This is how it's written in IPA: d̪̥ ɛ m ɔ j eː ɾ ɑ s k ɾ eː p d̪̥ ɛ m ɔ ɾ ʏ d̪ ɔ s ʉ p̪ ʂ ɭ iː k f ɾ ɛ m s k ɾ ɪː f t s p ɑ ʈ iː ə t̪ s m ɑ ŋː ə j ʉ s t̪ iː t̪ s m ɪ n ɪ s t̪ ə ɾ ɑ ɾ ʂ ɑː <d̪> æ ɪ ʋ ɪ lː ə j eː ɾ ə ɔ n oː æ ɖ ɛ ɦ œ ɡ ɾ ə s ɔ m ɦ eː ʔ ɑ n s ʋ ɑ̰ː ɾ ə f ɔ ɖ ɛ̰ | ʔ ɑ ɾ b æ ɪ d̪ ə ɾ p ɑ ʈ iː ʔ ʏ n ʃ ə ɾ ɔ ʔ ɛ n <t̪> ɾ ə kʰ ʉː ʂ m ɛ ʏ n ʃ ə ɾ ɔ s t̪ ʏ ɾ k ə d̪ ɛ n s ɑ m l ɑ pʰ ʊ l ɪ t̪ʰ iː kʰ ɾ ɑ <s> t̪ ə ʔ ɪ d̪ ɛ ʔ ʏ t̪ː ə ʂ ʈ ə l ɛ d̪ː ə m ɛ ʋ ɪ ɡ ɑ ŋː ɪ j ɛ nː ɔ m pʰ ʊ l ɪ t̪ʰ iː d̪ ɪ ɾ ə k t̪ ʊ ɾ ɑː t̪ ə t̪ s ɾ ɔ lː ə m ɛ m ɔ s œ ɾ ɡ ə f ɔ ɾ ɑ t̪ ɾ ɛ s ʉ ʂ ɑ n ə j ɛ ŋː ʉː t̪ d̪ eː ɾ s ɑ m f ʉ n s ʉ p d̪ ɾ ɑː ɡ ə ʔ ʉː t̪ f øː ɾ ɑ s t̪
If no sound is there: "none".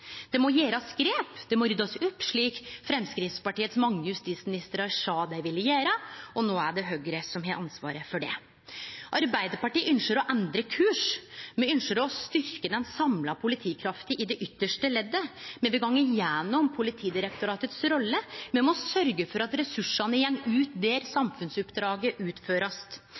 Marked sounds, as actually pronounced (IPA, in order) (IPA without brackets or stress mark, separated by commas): d̪, d̪, f